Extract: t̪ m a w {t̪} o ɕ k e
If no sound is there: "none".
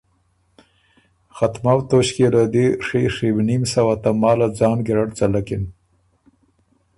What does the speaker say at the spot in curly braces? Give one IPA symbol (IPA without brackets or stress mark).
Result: t̪